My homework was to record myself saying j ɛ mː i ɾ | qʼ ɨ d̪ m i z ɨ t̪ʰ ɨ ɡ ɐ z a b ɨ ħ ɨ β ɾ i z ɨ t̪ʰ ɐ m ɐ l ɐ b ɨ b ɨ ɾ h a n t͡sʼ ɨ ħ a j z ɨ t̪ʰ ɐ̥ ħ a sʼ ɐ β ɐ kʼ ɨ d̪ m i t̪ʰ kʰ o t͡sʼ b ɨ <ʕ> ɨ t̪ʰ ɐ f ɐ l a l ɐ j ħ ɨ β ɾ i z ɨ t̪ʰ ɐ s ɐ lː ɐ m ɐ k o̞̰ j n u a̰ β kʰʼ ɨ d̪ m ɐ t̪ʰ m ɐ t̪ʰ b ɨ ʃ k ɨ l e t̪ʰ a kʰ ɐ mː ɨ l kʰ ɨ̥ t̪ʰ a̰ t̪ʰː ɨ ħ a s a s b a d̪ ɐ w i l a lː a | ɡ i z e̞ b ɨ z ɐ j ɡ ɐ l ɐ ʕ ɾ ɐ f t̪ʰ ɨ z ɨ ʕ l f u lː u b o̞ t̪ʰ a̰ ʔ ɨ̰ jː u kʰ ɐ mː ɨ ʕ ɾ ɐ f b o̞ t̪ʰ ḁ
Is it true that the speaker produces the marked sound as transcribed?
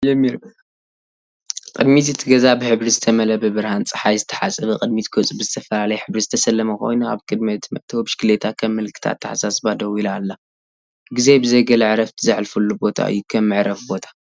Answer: no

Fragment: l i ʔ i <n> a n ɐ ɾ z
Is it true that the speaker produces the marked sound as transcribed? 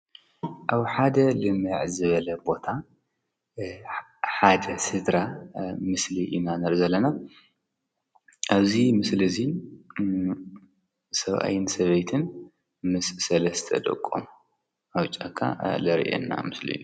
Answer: yes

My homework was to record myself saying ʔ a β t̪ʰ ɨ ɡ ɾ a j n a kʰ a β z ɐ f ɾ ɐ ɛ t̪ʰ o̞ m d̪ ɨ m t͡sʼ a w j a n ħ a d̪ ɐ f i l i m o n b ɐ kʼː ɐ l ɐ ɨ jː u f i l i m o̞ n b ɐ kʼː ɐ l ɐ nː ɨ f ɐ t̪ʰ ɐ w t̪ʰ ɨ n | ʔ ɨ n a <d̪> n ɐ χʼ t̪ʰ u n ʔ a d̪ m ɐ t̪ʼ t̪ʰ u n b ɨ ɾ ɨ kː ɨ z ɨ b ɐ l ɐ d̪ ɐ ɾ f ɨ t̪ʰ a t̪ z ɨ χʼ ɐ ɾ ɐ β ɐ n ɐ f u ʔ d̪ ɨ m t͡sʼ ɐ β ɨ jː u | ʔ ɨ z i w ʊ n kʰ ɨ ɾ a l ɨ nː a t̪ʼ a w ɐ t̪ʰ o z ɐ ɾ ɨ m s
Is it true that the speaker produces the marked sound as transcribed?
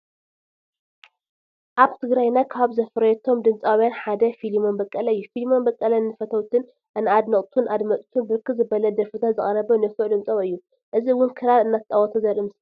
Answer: yes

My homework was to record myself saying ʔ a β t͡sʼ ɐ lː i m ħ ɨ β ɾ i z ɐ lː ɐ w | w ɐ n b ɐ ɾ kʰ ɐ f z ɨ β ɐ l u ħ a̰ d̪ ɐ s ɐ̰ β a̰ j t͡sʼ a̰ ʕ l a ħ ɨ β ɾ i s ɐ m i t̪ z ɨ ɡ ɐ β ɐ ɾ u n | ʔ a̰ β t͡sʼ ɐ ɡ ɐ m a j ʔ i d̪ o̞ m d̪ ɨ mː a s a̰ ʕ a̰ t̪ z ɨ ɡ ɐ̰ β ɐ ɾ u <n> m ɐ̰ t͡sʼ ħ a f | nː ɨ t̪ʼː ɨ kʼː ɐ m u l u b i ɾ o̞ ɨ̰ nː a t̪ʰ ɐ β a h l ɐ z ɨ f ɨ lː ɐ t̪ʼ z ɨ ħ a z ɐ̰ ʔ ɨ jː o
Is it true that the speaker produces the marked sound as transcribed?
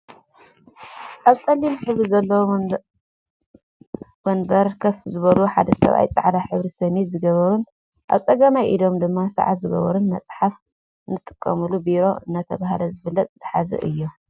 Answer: yes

